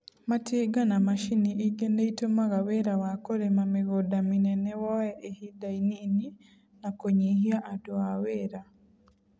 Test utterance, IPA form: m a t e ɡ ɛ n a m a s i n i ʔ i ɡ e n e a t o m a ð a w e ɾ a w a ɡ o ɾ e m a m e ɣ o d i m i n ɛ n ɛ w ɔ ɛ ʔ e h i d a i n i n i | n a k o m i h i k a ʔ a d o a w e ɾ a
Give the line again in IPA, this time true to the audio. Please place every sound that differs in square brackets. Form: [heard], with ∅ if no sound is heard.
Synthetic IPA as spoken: m a t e ɡ [a] n a m a [ʃ] i n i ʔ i ɡ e n e [i] t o m a [ɣ] a w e ɾ a w a [k] o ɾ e m a m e ɣ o d [a] m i n ɛ n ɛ w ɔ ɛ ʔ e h i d a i n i n i | n a k o [ɲ] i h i [∅] a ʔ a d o a w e ɾ a